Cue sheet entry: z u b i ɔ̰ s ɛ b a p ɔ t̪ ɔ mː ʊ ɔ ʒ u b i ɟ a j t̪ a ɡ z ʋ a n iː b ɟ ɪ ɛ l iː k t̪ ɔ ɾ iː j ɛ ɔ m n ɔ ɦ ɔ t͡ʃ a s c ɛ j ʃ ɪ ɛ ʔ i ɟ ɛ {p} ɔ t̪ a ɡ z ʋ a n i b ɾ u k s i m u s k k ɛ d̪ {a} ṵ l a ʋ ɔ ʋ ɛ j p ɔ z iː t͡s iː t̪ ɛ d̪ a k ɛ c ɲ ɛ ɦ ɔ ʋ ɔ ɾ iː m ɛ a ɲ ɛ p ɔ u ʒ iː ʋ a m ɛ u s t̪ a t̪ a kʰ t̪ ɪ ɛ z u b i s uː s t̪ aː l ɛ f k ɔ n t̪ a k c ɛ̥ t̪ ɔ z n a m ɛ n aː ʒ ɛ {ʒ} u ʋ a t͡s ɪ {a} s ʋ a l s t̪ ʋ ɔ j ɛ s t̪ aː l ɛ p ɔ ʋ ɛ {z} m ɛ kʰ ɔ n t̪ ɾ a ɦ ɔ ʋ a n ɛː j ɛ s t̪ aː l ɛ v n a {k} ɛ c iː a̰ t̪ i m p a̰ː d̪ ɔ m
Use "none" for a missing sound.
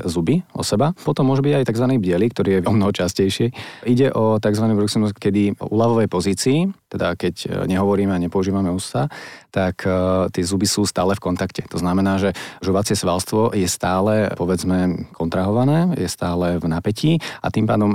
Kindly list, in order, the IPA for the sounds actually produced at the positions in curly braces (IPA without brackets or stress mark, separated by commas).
ʔ, i, ʒ, ɛ, d͡z, p